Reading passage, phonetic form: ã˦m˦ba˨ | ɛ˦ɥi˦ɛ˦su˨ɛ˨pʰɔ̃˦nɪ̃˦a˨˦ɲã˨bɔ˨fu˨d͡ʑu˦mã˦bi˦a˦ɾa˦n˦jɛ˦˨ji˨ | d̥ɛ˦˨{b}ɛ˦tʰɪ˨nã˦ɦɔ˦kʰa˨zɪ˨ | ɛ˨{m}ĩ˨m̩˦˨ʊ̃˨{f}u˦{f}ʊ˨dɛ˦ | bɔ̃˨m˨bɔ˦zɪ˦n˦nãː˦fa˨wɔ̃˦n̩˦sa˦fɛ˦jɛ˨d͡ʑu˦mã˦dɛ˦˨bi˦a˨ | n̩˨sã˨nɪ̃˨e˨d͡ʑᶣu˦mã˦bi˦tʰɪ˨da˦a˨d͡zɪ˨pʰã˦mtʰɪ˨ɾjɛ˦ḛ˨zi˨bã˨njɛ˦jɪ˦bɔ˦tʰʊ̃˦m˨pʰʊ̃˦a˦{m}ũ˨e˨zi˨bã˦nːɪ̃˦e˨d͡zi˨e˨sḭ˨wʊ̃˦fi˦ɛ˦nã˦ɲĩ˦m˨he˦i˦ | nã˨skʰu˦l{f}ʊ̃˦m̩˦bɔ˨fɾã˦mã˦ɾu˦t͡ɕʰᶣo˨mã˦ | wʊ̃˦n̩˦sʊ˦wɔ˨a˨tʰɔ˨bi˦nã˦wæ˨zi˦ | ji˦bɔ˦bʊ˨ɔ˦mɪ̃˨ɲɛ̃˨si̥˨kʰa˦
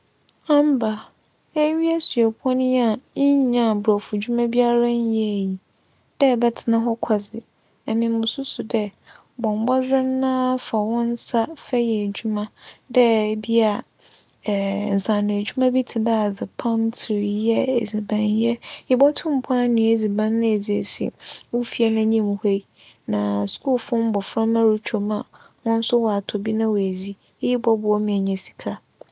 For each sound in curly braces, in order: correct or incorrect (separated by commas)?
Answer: correct, correct, incorrect, incorrect, incorrect, correct